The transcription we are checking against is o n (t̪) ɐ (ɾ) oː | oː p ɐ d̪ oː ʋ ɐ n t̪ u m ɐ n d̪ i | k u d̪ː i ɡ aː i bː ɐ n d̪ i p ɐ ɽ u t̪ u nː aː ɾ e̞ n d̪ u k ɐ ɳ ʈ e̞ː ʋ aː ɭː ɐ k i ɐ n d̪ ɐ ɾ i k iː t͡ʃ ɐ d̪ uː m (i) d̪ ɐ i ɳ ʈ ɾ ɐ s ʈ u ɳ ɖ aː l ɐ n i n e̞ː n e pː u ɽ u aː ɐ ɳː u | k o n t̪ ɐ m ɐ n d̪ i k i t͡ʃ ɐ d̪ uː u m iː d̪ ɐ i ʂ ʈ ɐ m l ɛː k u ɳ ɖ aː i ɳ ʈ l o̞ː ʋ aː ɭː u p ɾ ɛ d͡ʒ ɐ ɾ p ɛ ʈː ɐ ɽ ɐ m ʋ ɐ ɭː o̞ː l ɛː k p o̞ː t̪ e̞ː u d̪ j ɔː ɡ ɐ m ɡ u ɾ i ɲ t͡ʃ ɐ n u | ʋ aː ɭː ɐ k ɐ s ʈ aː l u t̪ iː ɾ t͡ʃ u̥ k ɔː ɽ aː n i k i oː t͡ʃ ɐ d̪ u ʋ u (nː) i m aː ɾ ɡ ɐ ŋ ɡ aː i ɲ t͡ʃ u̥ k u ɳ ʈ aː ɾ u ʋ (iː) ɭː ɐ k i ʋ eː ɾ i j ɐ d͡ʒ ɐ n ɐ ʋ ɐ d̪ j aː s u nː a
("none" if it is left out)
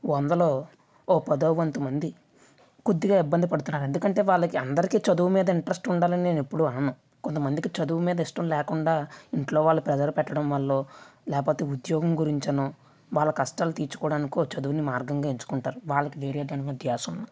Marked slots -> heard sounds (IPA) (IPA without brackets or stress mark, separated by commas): d̪, l, iː, n, aː